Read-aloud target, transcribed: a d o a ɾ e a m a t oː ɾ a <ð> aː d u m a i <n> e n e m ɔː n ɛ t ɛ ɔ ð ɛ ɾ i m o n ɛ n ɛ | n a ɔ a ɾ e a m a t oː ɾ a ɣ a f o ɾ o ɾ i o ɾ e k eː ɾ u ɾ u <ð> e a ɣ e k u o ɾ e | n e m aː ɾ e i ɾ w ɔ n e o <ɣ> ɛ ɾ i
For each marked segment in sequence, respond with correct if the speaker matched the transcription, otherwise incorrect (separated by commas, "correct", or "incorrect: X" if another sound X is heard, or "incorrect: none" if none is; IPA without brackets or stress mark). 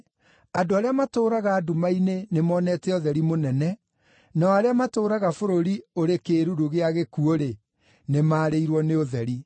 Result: incorrect: ɣ, correct, incorrect: ɣ, incorrect: ð